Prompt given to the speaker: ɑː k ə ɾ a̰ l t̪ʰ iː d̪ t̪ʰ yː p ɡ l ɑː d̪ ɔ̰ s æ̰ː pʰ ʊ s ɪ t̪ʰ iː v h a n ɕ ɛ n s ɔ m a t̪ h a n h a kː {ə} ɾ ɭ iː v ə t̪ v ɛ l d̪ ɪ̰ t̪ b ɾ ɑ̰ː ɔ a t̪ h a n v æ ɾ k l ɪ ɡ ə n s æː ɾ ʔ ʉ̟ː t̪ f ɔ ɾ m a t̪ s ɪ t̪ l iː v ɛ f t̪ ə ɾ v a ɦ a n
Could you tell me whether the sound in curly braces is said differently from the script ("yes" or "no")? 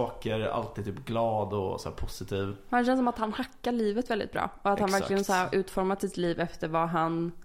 yes